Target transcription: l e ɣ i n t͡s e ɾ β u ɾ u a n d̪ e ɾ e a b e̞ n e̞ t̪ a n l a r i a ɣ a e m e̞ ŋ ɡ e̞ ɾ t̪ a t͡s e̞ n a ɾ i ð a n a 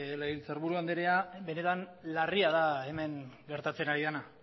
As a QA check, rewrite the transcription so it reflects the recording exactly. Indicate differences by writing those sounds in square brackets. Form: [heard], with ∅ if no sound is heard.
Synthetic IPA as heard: l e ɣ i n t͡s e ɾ β u ɾ u a n d̪ e ɾ e a b e̞ n e̞ t̪ a n l a r i a [ð] a e m e̞ ŋ ɡ e̞ ɾ t̪ a t͡s e̞ n a ɾ i ð a n a